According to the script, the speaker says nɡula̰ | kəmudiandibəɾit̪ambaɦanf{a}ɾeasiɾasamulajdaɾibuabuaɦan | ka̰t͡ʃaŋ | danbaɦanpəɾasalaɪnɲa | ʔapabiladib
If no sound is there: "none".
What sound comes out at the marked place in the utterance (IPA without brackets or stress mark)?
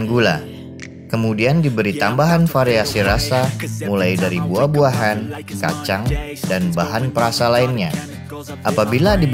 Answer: a